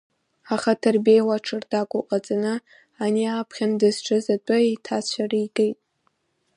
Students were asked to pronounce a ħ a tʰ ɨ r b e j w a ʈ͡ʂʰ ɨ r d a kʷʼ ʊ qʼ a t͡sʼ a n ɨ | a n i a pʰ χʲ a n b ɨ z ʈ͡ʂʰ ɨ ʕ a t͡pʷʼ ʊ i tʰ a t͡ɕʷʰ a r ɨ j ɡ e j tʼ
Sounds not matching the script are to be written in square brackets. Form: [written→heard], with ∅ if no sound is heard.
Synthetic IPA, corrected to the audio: a [ħ→χ] a tʰ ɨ r b e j w a ʈ͡ʂʰ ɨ r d a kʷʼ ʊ qʼ a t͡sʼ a n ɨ | a n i a pʰ χʲ a n [b→d] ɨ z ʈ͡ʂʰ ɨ [ʕ→z] a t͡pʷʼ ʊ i tʰ a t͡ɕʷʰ a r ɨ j ɡ e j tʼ